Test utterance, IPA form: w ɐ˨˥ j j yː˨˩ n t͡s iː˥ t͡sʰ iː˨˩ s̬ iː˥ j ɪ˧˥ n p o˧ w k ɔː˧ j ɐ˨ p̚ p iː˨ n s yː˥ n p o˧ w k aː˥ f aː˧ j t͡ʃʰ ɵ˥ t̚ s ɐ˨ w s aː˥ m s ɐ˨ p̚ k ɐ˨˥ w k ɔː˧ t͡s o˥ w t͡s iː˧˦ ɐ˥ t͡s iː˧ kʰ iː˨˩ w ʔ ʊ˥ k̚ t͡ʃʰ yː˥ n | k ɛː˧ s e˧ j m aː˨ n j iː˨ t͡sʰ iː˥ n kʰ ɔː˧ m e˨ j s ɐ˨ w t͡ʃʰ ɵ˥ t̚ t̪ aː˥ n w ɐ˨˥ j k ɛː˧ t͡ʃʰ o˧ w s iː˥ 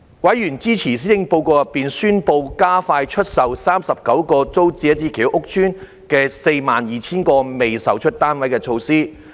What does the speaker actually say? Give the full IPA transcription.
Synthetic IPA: w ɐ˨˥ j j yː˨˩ n t͡s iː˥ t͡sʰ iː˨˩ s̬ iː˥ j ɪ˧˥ ŋ p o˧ w k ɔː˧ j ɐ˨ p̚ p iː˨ n s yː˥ n p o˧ w k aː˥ f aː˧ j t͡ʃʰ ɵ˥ t̚ s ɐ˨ w s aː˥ m s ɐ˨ p̚ k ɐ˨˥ w k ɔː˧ t͡s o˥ w t͡s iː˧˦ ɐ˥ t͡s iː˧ kʰ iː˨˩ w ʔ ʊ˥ k̚ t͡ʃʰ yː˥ n | k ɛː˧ s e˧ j m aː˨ n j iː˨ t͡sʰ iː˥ n k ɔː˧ m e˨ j s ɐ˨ w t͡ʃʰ ɵ˥ t̚ t̪ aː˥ n w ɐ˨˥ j k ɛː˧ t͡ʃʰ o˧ w s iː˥